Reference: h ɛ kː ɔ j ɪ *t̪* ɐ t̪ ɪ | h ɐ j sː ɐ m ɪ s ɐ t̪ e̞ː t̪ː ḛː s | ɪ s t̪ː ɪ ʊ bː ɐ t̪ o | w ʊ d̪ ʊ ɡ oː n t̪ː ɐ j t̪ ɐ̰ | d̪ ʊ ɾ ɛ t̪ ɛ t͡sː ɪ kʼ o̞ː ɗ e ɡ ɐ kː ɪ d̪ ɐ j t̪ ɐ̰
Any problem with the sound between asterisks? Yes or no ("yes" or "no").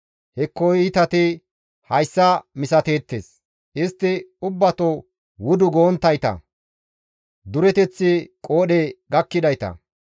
no